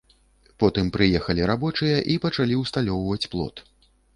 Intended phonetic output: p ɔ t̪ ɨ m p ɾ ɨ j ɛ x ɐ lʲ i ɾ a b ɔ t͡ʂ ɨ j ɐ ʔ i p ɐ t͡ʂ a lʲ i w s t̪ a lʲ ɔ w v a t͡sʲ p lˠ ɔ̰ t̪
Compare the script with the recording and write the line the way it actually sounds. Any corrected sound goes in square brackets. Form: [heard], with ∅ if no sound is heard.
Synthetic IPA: p ɔ t̪ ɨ m p ɾ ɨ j ɛ x ɐ lʲ i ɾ a b ɔ t͡ʂ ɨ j ɐ ʔ i p ɐ t͡ʂ a lʲ i w s t̪ a lʲ ɔ w v [ɐ] t͡sʲ p lˠ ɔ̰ t̪